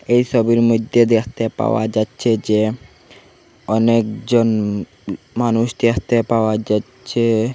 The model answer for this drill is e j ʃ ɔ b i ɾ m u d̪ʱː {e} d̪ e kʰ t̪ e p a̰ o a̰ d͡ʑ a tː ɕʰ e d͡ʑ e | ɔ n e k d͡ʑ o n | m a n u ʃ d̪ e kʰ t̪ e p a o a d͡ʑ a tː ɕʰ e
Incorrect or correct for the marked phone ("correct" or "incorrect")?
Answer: correct